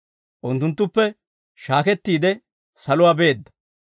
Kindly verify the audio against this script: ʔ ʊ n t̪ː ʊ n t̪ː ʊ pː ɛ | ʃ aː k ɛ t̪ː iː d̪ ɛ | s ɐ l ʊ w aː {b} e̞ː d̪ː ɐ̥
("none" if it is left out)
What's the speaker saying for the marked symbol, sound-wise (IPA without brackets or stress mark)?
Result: b